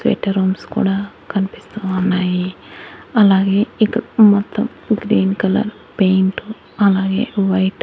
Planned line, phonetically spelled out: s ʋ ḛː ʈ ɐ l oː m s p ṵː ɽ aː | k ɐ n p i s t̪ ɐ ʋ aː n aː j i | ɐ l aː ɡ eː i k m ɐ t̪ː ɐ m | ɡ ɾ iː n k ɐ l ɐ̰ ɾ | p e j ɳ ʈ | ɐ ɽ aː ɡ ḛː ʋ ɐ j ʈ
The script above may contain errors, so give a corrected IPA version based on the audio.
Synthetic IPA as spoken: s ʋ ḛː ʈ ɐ ɾ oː m s k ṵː ɽ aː | k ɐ n p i s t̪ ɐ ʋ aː n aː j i | ɐ l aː ɡ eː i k m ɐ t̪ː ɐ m | ɡ ɾ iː n k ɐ l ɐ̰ ɾ | p e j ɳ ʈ | ɐ l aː ɡ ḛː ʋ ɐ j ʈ